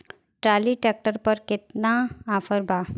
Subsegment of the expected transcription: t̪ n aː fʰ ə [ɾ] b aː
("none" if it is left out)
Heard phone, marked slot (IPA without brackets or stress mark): ɾ